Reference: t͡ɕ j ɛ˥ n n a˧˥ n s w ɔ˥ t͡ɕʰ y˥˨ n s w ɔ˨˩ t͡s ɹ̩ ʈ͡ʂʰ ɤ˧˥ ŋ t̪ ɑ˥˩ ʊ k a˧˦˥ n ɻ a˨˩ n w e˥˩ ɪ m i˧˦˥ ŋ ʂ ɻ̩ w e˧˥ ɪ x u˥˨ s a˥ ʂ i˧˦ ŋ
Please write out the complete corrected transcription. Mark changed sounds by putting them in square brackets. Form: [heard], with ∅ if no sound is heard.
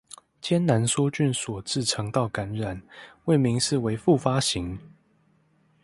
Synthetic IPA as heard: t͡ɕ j ɛ˥ n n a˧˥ n s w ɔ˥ [t͡ɕ] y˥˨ n s w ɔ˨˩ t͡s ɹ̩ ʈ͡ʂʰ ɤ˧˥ ŋ t̪ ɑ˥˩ ʊ k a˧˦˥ n ɻ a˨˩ n w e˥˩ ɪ m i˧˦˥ ŋ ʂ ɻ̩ w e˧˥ ɪ [f] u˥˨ [f] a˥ [ɕ] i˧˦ ŋ